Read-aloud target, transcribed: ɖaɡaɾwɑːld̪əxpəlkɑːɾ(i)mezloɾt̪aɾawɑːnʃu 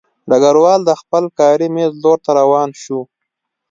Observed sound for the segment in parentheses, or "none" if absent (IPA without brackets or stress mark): i